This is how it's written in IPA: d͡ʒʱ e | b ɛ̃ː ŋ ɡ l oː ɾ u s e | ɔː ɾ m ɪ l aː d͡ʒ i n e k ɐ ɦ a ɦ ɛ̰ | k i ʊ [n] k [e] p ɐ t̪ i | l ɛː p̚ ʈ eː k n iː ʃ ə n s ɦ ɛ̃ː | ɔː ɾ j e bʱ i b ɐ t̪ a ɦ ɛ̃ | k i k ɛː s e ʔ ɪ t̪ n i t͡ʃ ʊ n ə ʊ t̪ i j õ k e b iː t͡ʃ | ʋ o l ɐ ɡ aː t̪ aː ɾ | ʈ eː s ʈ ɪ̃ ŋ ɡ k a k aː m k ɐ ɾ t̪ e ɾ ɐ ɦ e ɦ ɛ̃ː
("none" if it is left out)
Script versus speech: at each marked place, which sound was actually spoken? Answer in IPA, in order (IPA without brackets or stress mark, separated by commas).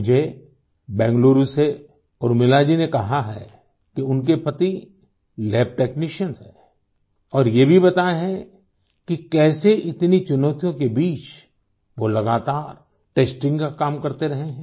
n, e